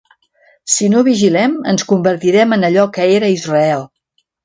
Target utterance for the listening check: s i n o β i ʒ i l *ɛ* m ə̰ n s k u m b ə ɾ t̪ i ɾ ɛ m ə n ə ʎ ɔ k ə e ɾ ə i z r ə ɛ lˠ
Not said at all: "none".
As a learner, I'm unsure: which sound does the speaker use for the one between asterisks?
ɛ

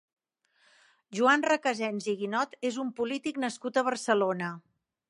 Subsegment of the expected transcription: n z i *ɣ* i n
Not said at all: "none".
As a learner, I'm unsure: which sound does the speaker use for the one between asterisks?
ɣ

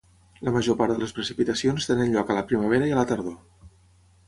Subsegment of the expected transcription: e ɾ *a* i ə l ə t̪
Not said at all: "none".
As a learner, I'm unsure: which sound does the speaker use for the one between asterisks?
ə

